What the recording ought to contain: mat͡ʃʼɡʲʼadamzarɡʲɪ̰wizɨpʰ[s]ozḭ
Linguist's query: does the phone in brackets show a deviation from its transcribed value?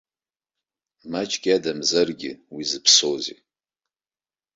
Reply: no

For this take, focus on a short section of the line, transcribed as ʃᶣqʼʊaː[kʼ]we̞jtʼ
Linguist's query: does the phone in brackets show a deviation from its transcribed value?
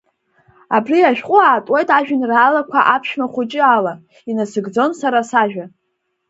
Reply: yes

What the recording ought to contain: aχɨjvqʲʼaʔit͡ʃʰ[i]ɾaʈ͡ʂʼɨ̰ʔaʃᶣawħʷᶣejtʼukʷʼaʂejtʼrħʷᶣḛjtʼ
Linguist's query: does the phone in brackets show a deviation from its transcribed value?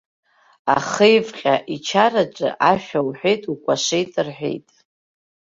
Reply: yes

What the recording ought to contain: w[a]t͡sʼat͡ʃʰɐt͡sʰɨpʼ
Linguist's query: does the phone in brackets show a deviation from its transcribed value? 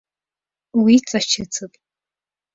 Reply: yes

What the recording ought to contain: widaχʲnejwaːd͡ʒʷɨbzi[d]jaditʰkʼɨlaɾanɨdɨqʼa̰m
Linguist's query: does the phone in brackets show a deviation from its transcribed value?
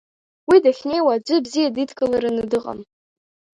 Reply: yes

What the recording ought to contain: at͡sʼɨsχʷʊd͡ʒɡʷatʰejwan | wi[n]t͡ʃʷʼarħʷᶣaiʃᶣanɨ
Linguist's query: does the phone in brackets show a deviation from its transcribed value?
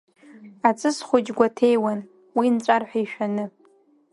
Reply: no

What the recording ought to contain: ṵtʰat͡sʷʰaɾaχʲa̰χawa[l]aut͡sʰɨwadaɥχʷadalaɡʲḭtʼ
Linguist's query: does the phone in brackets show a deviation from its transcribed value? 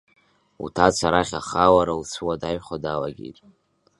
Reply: yes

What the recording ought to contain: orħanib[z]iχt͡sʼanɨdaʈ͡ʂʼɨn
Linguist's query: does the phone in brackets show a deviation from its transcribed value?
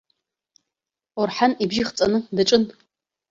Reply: yes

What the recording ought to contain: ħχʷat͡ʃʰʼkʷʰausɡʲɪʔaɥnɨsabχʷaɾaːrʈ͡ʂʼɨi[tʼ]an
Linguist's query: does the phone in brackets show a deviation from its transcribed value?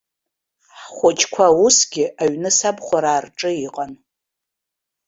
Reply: yes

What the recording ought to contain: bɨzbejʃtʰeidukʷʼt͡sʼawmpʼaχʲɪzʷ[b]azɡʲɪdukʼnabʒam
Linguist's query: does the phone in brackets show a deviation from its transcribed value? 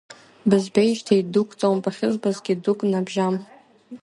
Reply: no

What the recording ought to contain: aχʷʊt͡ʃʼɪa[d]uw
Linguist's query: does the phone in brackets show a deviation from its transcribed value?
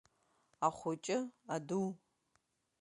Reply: no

